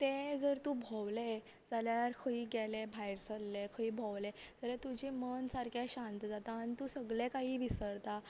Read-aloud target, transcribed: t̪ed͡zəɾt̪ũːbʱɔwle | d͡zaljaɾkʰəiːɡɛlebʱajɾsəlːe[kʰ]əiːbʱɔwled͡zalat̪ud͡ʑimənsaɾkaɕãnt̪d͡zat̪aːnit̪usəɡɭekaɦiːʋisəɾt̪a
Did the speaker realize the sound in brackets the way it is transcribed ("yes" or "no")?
yes